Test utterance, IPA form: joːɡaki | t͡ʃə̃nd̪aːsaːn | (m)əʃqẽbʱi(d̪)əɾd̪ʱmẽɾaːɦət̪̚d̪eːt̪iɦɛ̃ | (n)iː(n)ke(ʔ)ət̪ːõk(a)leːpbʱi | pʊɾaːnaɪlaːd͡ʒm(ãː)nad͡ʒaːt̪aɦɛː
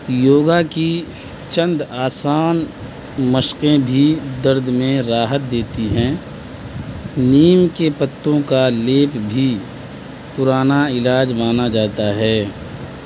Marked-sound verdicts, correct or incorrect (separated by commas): correct, correct, correct, incorrect, incorrect, correct, incorrect